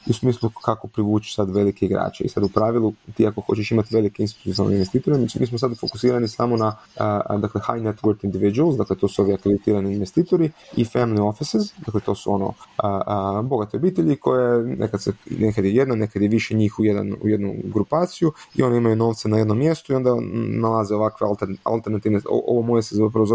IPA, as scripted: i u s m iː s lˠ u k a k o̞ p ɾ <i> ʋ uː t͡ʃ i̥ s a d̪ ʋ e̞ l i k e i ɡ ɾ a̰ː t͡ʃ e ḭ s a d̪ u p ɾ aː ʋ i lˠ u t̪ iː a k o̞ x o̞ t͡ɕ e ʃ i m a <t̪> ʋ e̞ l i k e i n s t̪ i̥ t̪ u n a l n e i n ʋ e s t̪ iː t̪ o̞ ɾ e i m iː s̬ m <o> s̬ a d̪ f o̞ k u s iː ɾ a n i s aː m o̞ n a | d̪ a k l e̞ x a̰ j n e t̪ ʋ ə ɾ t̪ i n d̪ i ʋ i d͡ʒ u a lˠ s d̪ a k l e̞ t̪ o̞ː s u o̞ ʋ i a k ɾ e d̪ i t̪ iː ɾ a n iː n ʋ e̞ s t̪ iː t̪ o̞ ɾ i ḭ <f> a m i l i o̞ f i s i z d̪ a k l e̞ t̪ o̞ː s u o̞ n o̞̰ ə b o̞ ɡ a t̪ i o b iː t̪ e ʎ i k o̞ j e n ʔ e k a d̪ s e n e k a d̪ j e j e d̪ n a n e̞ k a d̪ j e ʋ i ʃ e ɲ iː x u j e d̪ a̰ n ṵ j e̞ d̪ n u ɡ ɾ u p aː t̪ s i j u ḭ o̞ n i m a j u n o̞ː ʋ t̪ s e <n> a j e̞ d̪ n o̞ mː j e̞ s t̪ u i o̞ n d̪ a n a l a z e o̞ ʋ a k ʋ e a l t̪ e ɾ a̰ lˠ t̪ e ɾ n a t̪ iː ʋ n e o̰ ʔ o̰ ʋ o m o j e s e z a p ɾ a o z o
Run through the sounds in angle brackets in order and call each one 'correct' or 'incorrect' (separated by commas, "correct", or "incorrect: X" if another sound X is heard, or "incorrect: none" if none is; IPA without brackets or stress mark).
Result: correct, correct, correct, correct, correct